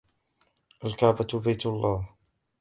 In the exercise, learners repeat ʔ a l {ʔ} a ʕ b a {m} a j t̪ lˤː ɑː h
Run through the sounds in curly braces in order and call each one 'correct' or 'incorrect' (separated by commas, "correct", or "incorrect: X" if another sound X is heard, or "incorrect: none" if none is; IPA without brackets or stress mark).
incorrect: k, incorrect: b